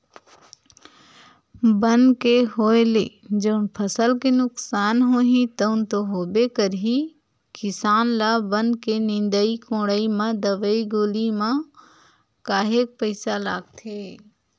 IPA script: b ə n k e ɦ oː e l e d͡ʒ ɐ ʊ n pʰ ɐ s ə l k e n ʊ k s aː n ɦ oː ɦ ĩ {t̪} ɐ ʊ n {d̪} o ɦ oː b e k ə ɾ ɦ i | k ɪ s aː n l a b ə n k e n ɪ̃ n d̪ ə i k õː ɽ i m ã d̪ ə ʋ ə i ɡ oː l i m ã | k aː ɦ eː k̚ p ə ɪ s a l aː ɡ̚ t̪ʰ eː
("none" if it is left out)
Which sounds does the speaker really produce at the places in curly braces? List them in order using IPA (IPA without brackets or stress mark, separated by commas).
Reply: t̪, t̪